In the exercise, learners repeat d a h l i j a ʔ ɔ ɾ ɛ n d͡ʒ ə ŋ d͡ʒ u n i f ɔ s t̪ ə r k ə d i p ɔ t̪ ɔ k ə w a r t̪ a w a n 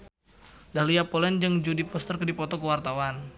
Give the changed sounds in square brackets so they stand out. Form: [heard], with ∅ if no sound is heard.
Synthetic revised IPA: d a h l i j a [p] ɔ [l] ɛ n d͡ʒ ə ŋ d͡ʒ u [d] i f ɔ s t̪ ə r k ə d i p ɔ t̪ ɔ k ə w a r t̪ a w a n